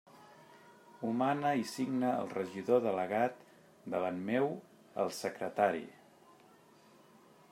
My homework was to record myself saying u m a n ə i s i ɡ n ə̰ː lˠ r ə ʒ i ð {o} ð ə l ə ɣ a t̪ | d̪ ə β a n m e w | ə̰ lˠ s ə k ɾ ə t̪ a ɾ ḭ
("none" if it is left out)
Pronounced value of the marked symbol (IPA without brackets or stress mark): o